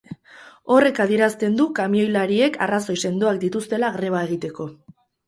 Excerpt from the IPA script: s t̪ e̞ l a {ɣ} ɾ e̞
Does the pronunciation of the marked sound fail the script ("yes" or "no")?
no